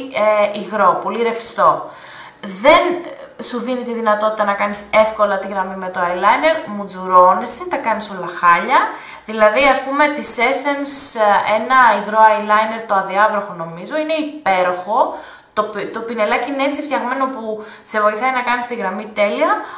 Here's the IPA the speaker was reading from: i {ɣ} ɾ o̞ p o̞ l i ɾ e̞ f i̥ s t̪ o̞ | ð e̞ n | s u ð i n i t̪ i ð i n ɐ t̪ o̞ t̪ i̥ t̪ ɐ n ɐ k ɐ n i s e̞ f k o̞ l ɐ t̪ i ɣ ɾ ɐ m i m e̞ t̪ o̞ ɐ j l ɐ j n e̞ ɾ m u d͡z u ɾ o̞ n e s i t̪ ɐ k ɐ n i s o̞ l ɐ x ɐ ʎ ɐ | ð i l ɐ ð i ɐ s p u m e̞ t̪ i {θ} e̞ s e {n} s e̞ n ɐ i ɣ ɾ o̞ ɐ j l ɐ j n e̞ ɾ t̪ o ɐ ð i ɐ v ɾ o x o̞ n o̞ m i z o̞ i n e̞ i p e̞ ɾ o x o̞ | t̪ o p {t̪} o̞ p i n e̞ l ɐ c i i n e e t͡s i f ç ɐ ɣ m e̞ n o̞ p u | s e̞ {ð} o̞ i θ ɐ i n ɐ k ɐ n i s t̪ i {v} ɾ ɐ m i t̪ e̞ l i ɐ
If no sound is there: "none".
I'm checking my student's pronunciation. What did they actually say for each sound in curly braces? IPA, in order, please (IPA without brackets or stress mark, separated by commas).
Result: ɣ, s, n, t̪, v, ɣ